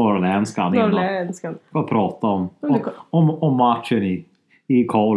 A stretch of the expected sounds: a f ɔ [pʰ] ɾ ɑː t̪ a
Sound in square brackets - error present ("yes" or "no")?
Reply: no